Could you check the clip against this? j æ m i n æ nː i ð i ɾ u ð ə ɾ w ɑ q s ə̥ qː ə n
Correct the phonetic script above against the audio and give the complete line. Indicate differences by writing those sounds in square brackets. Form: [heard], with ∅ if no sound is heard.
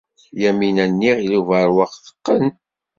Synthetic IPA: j æ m i n æ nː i [ʁ] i [l] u [v] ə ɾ w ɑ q [θ] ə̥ qː ə n